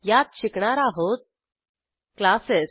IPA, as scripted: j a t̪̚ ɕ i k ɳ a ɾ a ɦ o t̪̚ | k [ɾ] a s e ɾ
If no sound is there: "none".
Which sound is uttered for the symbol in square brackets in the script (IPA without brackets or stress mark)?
l